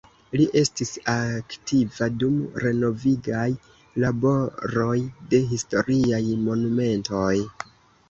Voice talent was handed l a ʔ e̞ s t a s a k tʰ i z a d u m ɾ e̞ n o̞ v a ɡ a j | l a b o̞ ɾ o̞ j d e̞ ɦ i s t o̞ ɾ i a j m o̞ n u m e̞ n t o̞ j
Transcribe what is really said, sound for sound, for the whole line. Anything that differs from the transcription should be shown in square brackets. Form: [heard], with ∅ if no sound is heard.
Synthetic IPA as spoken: l [i] ʔ e̞ s t [i] s a k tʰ i [v] a d u m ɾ e̞ n o̞ v [i] ɡ a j | l a b o̞ ɾ o̞ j d e̞ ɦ i s t o̞ ɾ i a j m o̞ n u m e̞ n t o̞ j